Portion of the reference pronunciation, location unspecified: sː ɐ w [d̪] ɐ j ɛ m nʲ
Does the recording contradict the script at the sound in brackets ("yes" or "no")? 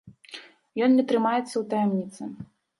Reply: yes